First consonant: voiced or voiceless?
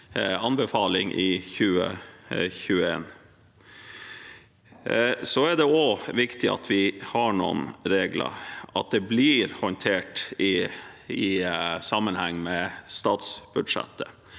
voiced